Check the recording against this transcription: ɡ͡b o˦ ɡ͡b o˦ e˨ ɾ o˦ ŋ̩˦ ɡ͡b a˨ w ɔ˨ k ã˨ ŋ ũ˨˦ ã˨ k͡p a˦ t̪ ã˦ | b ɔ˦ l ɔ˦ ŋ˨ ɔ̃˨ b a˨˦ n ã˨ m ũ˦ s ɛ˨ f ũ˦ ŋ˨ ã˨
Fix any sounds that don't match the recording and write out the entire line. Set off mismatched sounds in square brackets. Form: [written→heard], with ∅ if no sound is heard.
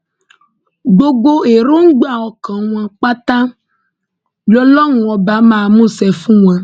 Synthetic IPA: ɡ͡b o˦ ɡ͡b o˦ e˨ ɾ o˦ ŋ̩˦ ɡ͡b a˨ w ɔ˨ k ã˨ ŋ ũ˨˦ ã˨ k͡p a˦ t̪ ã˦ | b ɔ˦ l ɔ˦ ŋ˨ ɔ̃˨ b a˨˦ [n→m] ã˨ m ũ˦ s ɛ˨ f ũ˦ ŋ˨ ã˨